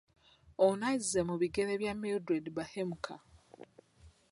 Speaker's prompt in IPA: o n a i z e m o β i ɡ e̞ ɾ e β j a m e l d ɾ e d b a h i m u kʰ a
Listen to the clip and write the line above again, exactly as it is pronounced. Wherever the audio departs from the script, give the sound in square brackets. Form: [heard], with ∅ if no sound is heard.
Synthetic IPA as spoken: o n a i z e m [u] β i ɡ e̞ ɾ e β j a m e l d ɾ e d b a h [e] m u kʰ a